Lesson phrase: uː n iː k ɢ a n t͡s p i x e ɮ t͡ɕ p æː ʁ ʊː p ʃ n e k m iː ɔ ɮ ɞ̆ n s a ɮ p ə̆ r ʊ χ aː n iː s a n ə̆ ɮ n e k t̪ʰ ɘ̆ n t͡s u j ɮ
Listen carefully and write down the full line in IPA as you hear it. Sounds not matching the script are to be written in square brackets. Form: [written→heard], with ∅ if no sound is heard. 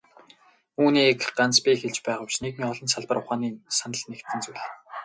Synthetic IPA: uː n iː k ɢ a n t͡s p i x e ɮ t͡ɕ p æː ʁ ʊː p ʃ n e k m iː ɔ ɮ ɞ̆ n s a ɮ p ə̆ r ʊ χ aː n iː s a n ə̆ ɮ n e k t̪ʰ ɘ̆ n t͡s u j ɮ